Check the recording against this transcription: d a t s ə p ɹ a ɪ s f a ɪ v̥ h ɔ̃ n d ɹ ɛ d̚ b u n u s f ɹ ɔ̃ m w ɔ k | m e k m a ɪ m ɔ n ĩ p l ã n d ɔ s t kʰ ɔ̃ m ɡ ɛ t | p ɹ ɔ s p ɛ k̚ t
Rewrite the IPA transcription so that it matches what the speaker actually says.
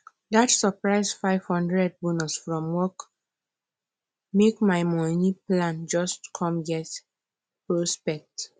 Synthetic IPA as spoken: d a t s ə p ɹ a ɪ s f a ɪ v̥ h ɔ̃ n d ɹ ɛ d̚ b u n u s f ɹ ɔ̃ m w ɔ k | m e k m a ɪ m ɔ n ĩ p l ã n d͡ʒ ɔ s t kʰ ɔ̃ m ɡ ɛ t | p ɹ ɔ s p ɛ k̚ t